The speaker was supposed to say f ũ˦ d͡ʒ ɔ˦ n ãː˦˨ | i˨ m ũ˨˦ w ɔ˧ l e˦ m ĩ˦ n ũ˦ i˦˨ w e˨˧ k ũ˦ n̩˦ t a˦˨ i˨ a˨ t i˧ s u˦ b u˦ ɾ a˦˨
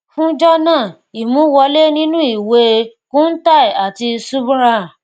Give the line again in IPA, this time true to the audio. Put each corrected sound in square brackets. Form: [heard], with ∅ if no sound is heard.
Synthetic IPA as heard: f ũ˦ d͡ʒ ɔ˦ n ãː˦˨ | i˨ m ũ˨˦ w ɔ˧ l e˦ [n] ĩ˦ n ũ˦ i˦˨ w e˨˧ k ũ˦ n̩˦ t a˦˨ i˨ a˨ t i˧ s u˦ b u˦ ɾ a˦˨